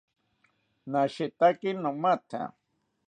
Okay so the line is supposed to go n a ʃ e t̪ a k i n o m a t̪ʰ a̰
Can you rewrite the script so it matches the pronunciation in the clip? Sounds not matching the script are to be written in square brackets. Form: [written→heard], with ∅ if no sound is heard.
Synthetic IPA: n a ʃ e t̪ a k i n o m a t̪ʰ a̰